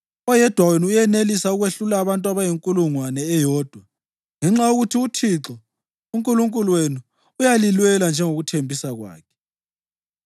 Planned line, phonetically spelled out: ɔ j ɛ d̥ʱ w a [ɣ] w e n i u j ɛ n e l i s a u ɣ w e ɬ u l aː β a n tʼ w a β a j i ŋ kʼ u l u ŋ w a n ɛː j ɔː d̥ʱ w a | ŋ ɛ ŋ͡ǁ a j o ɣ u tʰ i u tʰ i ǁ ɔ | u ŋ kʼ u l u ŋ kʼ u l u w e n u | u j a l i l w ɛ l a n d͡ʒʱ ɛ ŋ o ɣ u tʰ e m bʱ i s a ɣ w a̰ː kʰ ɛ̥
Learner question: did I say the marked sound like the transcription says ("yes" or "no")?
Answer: no